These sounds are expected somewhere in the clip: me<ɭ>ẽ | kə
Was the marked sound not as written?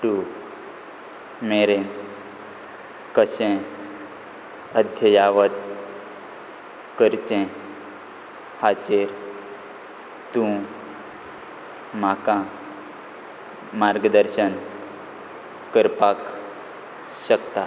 yes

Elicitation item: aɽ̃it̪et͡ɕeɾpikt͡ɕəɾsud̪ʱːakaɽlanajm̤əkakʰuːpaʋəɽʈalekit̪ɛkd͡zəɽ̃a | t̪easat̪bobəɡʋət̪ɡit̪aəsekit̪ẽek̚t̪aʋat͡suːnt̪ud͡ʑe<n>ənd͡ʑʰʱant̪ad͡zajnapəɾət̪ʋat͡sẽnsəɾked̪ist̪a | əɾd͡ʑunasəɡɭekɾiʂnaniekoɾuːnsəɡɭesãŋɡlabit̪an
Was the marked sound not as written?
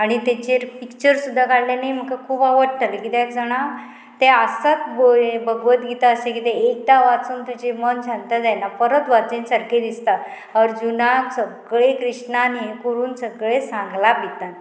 yes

